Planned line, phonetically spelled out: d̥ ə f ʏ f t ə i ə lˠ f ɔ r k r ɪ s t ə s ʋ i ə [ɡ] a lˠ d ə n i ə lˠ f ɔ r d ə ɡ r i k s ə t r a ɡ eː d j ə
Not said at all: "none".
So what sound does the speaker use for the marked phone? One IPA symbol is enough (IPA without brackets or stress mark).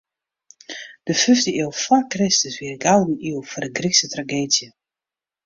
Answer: ɡ